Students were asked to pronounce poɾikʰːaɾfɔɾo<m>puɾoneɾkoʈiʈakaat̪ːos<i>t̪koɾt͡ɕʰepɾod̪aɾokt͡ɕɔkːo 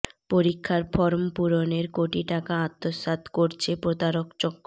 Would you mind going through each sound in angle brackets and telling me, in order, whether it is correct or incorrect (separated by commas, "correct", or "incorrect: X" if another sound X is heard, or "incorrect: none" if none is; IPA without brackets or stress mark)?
correct, incorrect: a